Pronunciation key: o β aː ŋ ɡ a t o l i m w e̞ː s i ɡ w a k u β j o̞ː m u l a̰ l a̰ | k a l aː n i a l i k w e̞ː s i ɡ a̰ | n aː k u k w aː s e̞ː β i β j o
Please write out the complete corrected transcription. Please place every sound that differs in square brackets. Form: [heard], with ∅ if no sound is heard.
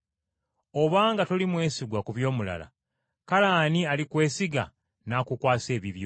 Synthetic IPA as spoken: o β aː ŋ ɡ a t o l i m w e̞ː s i ɡ w a k u β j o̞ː m u l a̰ l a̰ | k a l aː n i a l i k w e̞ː s i ɡ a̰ | n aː k u k w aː s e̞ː β i β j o